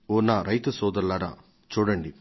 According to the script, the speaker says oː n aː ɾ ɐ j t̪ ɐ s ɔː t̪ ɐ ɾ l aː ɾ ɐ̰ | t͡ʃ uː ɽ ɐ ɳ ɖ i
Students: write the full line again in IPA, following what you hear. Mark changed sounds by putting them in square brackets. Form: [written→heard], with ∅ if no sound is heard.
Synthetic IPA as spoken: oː n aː ɾ ɐ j t̪ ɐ s ɔː [t̪→d̪] ɐ ɾ l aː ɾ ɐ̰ | t͡ʃ uː ɽ ɐ ɳ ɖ i